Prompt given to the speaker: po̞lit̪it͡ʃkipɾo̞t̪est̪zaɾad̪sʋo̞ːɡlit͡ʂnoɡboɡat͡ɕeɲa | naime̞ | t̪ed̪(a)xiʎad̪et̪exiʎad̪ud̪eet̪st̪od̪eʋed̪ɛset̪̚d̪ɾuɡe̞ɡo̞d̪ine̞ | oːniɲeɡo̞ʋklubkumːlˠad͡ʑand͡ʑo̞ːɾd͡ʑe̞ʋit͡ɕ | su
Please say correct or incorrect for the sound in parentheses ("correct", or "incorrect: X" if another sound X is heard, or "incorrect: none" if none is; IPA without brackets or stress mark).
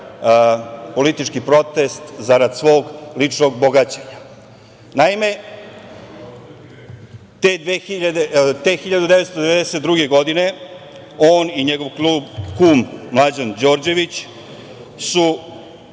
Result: incorrect: e